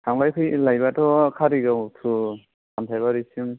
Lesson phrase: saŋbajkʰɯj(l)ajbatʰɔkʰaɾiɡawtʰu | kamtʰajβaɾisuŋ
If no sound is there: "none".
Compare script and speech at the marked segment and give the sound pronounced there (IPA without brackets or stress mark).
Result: l